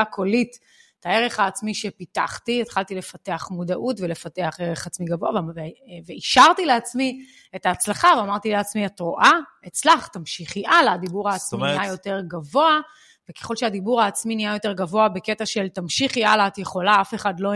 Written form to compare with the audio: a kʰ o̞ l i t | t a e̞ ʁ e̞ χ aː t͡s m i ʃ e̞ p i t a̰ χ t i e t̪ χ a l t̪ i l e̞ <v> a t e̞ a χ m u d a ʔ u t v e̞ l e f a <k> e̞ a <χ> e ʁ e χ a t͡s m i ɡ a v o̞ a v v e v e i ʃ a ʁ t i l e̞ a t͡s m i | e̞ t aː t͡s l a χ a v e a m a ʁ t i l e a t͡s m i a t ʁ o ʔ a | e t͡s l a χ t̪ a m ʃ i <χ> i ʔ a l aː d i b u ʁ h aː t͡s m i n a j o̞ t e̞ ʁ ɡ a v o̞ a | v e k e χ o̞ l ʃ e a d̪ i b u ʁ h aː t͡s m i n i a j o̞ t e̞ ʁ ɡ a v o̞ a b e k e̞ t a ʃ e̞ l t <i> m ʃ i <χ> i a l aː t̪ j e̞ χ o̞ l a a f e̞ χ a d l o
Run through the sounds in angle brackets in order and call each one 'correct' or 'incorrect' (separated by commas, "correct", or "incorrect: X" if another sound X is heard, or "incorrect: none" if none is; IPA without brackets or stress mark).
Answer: incorrect: f, incorrect: t, correct, correct, incorrect: a, correct